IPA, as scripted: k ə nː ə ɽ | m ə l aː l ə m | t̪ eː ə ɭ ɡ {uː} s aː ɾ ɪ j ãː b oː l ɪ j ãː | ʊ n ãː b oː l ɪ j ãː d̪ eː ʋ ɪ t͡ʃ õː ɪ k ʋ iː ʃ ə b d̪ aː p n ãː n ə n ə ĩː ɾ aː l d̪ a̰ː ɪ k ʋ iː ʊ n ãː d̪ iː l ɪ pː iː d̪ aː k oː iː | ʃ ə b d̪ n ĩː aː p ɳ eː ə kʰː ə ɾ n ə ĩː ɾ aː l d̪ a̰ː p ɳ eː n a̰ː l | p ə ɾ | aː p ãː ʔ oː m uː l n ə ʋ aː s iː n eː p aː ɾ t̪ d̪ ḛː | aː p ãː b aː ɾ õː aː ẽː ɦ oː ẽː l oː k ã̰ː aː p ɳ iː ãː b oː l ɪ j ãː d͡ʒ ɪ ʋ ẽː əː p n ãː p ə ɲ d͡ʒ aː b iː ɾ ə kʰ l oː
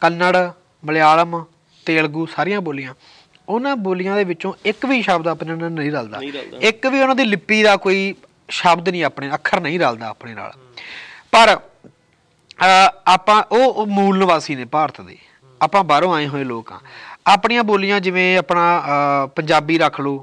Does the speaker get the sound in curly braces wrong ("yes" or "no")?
no